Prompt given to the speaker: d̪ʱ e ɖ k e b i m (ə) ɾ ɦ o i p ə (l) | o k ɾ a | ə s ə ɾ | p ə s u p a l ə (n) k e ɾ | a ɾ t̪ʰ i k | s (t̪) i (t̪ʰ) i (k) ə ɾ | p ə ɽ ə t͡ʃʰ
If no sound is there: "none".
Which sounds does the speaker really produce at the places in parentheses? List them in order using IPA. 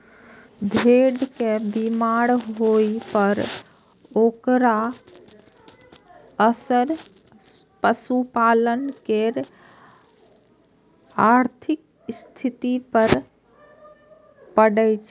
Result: a, ɾ, n, t̪ʰ, t̪, p

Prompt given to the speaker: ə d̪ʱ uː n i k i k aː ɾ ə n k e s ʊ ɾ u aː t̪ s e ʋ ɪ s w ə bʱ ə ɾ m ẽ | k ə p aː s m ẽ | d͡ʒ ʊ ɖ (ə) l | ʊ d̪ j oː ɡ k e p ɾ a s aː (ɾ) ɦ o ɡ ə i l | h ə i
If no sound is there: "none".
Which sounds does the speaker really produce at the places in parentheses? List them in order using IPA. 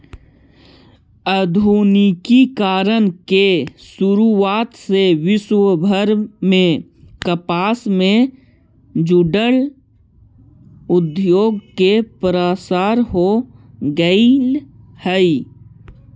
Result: ə, ɾ

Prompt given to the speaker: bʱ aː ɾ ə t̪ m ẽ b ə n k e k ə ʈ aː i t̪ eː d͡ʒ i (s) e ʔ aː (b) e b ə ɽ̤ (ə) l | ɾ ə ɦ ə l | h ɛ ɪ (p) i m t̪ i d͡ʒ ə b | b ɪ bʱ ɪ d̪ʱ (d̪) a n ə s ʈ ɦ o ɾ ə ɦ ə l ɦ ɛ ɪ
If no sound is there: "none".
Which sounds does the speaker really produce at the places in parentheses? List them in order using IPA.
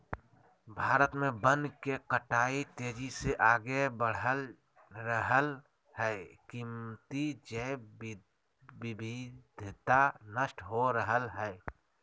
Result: s, ɡ, ə, k, t̪

